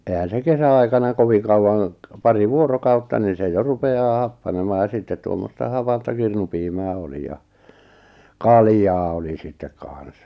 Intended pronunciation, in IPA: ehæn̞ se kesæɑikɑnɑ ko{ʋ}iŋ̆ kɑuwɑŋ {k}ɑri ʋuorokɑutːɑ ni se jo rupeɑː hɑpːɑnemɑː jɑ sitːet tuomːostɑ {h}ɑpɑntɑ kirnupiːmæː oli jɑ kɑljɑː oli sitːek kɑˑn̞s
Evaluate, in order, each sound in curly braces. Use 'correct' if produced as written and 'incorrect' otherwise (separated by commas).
correct, incorrect, correct